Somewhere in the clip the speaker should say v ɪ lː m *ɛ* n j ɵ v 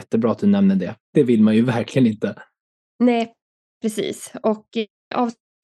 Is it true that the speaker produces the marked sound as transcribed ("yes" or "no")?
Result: no